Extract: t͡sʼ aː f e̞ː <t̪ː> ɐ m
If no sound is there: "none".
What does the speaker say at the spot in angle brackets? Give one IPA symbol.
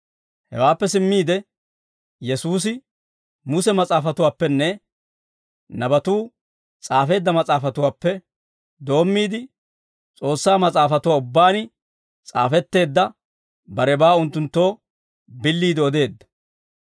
d̪ː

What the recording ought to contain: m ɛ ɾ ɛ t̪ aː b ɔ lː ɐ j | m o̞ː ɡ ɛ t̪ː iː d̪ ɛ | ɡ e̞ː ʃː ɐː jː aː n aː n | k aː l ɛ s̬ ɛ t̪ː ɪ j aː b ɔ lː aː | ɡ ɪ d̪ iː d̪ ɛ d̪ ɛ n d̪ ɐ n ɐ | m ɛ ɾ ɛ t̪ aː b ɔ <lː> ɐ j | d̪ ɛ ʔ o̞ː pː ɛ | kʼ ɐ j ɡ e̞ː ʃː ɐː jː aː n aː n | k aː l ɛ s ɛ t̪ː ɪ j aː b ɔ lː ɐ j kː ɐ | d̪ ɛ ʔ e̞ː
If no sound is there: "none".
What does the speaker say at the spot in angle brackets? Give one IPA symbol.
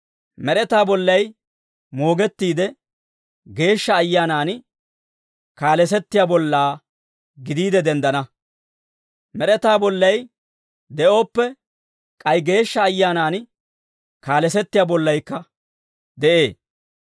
lː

